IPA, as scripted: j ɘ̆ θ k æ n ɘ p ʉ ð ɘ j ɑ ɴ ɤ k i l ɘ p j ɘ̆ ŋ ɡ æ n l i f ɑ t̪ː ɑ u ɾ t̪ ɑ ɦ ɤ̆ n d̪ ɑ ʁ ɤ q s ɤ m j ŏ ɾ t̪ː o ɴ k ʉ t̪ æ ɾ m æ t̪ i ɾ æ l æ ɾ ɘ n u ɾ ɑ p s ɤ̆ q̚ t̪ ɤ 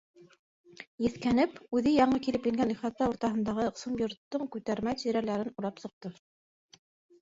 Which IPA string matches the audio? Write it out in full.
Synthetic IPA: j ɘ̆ θ k æ n ɘ p ʉ ð ɘ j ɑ ɴ ɤ k i l ɘ p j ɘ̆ ŋ ɡ æ n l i χ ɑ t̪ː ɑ u ɾ t̪ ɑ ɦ ɤ̆ n d̪ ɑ ʁ ɤ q s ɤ m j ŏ ɾ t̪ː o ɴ k ʉ t̪ æ ɾ m æ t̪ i ɾ æ l æ ɾ ɘ n u ɾ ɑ p s ɤ̆ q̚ t̪ ɤ